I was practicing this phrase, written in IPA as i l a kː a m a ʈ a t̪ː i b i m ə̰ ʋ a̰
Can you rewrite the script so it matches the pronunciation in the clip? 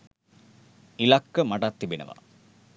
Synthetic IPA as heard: i l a kː ə m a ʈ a t̪ː i b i n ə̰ ʋ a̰